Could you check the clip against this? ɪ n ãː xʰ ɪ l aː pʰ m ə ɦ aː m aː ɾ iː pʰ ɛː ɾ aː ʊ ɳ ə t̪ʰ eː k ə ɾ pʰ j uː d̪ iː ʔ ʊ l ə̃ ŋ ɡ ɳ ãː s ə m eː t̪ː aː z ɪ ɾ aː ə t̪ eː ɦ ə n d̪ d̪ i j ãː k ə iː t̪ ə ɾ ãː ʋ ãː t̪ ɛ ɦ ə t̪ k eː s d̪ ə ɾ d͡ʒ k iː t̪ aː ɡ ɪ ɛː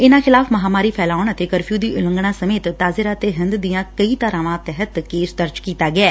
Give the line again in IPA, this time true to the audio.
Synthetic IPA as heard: ɪ n ãː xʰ ɪ l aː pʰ m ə ɦ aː m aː ɾ iː pʰ ɛː l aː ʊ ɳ ə t̪ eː k ə ɾ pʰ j uː d̪ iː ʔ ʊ l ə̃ ŋ ɡ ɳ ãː s ə m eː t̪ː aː z ɪ ɾ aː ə t̪ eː ɦ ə n d̪ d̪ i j ãː k ə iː t̪ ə ɾ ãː ʋ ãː t̪ ɛ ɦ ə t̪ k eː s d̪ ə ɾ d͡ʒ k iː t̪ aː ɡ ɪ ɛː